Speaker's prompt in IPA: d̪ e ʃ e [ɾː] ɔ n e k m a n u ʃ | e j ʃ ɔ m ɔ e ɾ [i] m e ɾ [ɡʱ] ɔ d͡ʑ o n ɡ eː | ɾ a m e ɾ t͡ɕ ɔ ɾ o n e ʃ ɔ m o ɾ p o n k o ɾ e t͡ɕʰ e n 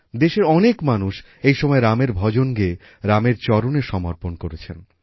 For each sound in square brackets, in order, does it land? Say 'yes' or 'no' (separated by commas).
no, no, no